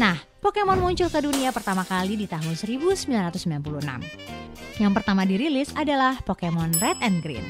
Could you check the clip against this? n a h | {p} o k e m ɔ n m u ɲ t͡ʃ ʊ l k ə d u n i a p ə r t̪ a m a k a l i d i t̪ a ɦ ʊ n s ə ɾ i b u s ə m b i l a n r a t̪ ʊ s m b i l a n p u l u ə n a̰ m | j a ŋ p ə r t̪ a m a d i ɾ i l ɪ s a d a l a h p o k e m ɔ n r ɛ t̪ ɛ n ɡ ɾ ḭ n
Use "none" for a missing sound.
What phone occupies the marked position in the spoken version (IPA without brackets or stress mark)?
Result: p